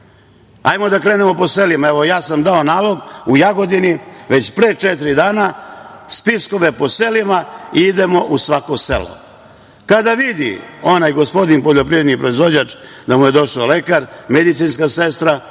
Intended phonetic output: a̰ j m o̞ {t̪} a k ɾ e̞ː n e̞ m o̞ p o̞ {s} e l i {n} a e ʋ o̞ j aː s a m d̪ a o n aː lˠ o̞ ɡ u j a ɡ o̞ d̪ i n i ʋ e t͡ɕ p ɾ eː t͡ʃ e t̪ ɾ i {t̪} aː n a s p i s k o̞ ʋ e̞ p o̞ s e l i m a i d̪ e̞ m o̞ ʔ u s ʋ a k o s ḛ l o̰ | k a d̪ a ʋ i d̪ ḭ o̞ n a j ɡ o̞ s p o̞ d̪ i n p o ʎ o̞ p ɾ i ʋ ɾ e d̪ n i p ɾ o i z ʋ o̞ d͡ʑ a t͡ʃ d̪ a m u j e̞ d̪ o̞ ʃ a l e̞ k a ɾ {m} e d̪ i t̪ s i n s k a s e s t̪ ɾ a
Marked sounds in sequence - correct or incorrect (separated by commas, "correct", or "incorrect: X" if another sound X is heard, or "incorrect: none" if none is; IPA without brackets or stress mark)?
incorrect: d̪, correct, incorrect: m, incorrect: d̪, correct